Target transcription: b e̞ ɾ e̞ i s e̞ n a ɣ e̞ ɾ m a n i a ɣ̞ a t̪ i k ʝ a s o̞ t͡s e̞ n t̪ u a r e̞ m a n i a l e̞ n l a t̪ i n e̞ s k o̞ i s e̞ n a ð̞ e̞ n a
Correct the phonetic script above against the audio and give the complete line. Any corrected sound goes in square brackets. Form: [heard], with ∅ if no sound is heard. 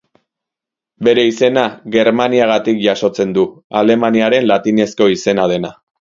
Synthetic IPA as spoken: b e̞ ɾ e̞ i s e̞ n a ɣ e̞ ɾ m a n i a ɣ̞ a t̪ i k ʝ a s o̞ t͡s e̞ n [d̪] u a [l] e̞ m a n i a [ɾ] e̞ n l a t̪ i n e̞ s k o̞ i s e̞ n a ð̞ e̞ n a